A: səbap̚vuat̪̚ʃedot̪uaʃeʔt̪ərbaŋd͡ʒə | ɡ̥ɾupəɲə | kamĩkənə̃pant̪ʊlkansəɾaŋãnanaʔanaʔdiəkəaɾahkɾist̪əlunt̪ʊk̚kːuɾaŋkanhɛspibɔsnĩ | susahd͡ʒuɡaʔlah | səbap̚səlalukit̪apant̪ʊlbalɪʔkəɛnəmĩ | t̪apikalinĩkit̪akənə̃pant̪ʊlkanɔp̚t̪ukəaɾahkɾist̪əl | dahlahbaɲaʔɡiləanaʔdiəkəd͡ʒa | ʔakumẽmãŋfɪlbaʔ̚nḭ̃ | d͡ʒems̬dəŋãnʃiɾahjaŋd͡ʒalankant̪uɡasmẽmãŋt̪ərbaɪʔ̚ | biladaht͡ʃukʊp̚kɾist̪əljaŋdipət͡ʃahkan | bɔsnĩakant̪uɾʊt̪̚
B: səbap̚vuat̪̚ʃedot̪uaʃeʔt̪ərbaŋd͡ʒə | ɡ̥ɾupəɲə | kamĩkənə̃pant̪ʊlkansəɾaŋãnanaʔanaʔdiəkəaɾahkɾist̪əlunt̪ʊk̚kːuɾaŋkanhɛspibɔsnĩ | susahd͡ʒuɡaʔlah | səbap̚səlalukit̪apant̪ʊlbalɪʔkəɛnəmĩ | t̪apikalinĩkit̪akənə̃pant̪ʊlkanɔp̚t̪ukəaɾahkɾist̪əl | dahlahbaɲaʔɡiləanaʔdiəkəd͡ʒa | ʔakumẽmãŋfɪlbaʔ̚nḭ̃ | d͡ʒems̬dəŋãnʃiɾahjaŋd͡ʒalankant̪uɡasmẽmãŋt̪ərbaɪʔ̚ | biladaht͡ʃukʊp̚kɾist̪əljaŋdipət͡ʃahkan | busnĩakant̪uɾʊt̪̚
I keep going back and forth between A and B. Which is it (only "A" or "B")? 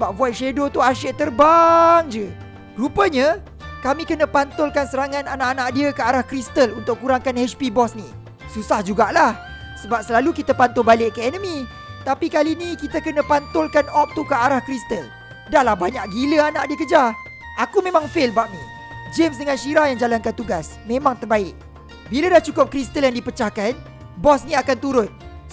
A